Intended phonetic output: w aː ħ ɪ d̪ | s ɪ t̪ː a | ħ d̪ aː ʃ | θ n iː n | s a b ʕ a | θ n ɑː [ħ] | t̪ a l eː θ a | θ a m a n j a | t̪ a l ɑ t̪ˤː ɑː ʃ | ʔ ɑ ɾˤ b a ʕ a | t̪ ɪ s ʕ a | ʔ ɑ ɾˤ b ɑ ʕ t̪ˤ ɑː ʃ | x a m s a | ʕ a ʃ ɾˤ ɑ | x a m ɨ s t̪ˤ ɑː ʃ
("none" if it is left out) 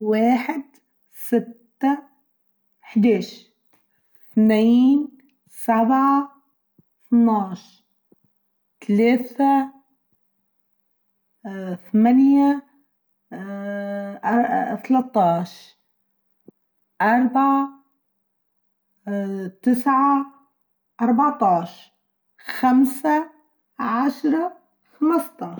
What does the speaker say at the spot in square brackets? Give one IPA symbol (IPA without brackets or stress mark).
ʃ